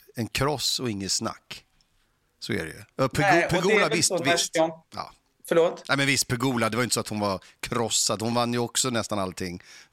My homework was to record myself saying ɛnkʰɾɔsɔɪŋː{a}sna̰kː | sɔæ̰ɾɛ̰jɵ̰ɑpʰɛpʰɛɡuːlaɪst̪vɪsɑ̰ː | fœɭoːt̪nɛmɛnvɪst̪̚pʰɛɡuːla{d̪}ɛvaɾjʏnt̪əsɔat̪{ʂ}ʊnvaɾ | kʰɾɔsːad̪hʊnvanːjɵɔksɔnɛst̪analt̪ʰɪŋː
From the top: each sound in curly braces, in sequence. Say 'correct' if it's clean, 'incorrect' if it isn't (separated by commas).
incorrect, correct, incorrect